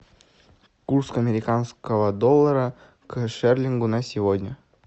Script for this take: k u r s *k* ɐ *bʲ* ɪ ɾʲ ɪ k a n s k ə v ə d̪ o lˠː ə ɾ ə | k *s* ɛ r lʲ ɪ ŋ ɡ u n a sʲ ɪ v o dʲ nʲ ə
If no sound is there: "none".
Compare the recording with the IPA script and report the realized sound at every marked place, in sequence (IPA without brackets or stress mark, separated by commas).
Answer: k, mʲ, ʂ